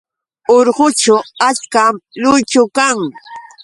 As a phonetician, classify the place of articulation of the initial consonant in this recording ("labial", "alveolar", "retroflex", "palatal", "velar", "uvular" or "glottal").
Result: alveolar